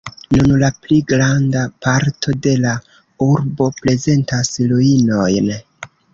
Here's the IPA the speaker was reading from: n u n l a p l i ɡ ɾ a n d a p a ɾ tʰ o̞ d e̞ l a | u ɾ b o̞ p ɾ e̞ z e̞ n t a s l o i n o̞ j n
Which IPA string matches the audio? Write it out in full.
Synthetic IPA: n u n l a p l i ɡ ɾ a n d a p a ɾ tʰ o̞ d e̞ l a | u ɾ b o̞ p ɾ e̞ z e̞ n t a s l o i n o̞ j n